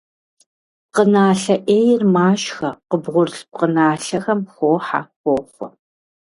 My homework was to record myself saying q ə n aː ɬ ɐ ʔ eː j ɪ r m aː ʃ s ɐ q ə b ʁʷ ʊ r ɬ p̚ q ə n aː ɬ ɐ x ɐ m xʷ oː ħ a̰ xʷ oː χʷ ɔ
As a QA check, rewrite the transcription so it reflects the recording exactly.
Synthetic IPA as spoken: q ə n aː ɬ ɐ ʔ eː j ɪ r m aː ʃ x ɐ q ə b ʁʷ ʊ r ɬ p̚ q ə n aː ɬ ɐ x ɐ m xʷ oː ħ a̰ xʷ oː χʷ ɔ